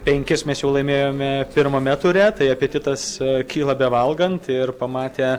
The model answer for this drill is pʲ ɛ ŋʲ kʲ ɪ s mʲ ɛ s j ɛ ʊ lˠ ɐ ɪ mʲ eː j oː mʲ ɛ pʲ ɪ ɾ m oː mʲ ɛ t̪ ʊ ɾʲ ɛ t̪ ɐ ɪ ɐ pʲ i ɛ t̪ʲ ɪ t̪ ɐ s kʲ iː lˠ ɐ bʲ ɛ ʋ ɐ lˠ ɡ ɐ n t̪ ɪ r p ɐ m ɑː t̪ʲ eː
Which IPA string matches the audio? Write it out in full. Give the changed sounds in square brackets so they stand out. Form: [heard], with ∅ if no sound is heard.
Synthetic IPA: pʲ ɛ ŋʲ kʲ ɪ s mʲ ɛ s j ɛ ʊ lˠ ɐ ɪ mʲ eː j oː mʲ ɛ pʲ ɪ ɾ m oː mʲ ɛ t̪ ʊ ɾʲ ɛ t̪ ɐ ɪ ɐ pʲ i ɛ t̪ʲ ɪ t̪ ɐ s kʲ iː lˠ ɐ bʲ ɛ ʋ ɐ lˠ ɡ ɐ n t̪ ɪ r p ɐ m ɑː t̪ʲ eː

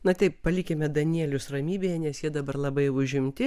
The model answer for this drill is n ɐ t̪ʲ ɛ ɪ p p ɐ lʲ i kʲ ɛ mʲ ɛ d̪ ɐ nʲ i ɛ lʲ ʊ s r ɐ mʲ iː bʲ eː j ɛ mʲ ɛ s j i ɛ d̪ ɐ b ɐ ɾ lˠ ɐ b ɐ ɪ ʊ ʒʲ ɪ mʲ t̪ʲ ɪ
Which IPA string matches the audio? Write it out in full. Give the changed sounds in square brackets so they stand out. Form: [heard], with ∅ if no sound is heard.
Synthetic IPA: n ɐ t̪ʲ ɛ ɪ p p ɐ lʲ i kʲ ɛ mʲ ɛ d̪ ɐ nʲ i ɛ lʲ ʊ s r ɐ mʲ iː bʲ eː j ɛ [nʲ] ɛ s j i ɛ d̪ ɐ b ɐ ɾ lˠ ɐ b ɐ ɪ ʊ ʒʲ ɪ mʲ t̪ʲ ɪ

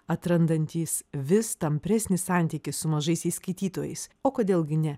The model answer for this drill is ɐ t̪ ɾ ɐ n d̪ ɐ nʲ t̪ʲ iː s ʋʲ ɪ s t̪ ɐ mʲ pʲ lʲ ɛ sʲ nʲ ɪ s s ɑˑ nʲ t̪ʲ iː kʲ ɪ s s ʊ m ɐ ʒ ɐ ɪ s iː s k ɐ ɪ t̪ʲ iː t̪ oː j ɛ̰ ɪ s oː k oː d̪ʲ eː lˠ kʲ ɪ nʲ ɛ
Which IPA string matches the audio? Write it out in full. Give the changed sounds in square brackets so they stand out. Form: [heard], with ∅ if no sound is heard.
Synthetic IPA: ɐ t̪ ɾ ɐ n d̪ ɐ nʲ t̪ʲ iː s ʋʲ ɪ s t̪ ɐ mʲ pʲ [ɾʲ] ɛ sʲ nʲ ɪ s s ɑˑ nʲ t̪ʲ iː kʲ ɪ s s ʊ m ɐ ʒ ɐ ɪ s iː s k ɐ ɪ t̪ʲ iː t̪ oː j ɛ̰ ɪ s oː k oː d̪ʲ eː lˠ [ɡʲ] ɪ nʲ ɛ

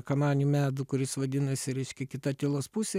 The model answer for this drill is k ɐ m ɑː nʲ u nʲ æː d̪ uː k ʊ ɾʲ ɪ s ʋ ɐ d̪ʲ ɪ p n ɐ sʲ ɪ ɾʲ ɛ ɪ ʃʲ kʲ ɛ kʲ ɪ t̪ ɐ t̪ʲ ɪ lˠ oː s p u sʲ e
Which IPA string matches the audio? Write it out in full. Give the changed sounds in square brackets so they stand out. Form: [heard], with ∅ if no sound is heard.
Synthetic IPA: k ɐ m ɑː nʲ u [mʲ] æː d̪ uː k ʊ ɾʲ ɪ s ʋ ɐ d̪ʲ ɪ [∅] n ɐ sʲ ɪ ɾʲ ɛ ɪ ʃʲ kʲ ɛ kʲ ɪ t̪ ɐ t̪ʲ ɪ lˠ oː s p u sʲ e

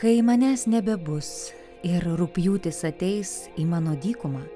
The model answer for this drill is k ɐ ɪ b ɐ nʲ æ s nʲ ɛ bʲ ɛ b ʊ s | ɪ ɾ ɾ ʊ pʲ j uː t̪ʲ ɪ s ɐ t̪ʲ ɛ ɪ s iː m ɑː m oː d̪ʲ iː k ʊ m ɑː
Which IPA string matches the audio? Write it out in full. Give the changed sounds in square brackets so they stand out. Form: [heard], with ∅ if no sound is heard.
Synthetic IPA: k ɐ ɪ [m] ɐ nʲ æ s nʲ ɛ bʲ ɛ b ʊ s | ɪ ɾ ɾ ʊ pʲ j uː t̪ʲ ɪ s ɐ t̪ʲ ɛ ɪ s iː m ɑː [n] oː d̪ʲ iː k ʊ m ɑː

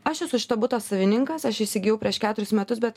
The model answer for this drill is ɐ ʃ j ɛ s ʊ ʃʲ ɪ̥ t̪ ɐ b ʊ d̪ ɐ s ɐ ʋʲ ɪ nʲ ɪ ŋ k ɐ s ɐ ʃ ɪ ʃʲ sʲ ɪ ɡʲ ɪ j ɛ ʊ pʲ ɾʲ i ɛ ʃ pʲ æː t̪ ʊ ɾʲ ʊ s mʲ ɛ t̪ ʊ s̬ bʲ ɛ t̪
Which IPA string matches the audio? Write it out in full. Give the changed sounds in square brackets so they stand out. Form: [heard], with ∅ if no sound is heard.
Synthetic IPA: ɐ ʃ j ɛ s ʊ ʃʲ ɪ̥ t̪ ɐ b ʊ [t̪] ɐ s ɐ ʋʲ ɪ nʲ ɪ ŋ k ɐ s ɐ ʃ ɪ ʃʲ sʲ ɪ ɡʲ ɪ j ɛ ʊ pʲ ɾʲ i ɛ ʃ [kʲ] æː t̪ ʊ ɾʲ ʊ s mʲ ɛ t̪ ʊ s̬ bʲ ɛ t̪

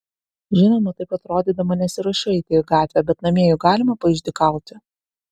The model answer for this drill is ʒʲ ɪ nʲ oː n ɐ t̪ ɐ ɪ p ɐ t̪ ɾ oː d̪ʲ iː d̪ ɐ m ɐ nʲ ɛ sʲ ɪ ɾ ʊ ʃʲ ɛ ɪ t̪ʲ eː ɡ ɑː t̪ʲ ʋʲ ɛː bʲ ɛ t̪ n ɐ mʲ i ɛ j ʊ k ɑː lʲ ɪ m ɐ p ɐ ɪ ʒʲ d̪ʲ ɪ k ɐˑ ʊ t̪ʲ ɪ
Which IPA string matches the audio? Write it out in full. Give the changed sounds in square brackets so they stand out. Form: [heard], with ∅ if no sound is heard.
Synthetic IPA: ʒʲ ɪ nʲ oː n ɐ t̪ ɐ ɪ p ɐ t̪ ɾ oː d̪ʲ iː d̪ ɐ m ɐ nʲ ɛ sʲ ɪ ɾ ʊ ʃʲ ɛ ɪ t̪ʲ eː ɡ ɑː t̪ʲ ʋʲ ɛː bʲ ɛ t̪ n ɐ mʲ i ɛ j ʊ [ɡ] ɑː lʲ ɪ m ɐ p ɐ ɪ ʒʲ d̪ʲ ɪ k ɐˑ ʊ t̪ʲ ɪ

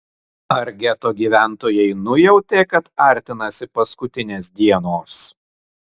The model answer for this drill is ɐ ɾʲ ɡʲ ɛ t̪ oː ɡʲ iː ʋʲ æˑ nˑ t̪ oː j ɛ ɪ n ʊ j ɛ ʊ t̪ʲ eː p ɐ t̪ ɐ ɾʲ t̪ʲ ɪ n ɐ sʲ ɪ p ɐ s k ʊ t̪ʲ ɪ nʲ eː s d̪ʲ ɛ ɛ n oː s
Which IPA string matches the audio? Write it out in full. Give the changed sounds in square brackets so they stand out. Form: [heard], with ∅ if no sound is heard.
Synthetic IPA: ɐ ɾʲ ɡʲ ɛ t̪ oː ɡʲ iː ʋʲ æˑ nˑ t̪ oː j ɛ ɪ n ʊ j ɛ ʊ t̪ʲ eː [k] ɐ t̪ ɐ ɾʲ t̪ʲ ɪ n ɐ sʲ ɪ p ɐ s k ʊ t̪ʲ ɪ nʲ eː s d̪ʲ [i] ɛ n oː s

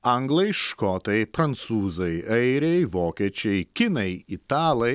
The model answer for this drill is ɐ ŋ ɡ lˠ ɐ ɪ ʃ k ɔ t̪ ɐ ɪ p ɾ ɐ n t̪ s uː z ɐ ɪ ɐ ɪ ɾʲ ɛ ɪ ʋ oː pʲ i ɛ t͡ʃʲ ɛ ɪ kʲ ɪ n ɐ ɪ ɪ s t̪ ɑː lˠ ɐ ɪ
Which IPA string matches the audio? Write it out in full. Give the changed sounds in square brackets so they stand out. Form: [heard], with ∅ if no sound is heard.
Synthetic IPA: ɐ ŋ ɡ lˠ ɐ ɪ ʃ k ɔ t̪ ɐ ɪ p ɾ ɐ n t̪ s uː z ɐ ɪ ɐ ɪ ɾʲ ɛ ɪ ʋ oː [kʲ] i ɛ t͡ʃʲ ɛ ɪ kʲ ɪ n ɐ ɪ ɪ [∅] t̪ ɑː lˠ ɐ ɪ

